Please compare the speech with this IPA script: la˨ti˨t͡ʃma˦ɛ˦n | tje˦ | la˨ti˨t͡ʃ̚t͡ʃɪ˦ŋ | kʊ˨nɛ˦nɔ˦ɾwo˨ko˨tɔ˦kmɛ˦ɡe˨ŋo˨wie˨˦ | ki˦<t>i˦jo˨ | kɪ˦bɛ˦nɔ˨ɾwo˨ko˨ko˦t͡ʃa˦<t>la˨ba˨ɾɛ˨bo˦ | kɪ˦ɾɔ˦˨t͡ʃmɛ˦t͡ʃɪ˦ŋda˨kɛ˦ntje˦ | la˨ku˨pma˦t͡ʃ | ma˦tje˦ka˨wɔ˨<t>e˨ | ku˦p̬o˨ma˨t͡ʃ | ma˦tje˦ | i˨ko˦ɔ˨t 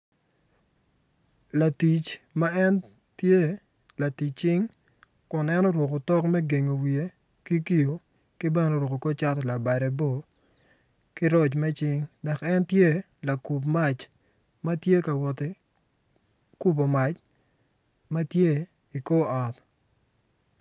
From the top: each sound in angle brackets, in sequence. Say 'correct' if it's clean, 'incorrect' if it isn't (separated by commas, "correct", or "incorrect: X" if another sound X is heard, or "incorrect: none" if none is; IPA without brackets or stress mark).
incorrect: k, correct, correct